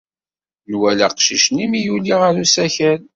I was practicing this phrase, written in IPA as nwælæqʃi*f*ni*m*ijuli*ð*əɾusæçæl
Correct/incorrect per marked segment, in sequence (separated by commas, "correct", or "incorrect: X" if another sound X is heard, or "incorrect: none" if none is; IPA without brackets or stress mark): incorrect: ʃ, correct, incorrect: ʁ